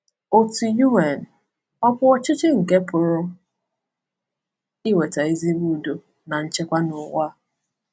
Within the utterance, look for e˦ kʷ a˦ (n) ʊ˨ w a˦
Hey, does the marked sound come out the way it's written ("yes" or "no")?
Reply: yes